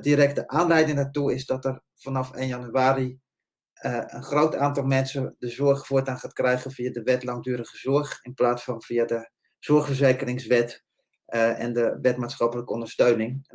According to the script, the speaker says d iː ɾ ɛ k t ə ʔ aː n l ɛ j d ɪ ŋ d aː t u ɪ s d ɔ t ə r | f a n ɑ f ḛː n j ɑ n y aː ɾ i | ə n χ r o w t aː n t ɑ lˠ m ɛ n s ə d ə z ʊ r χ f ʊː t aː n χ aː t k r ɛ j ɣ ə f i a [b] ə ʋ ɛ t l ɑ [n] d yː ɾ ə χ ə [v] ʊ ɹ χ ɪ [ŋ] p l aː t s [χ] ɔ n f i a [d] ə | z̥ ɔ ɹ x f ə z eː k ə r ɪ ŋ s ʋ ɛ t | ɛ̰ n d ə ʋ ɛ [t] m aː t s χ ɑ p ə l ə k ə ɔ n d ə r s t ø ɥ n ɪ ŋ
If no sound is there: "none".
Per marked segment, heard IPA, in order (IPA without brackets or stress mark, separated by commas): d, ŋ, z, n, f, d, t